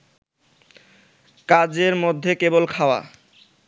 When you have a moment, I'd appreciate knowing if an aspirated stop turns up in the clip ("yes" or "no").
yes